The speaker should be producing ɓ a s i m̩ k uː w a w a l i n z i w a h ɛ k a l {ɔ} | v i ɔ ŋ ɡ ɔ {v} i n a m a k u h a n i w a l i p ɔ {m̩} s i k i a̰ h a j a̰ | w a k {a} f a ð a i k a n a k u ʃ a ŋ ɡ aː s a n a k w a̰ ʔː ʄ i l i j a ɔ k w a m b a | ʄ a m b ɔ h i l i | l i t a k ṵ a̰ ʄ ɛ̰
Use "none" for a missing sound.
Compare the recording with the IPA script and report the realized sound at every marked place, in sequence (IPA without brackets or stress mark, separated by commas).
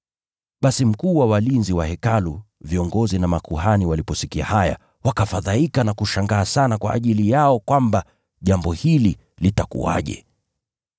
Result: u, z, none, a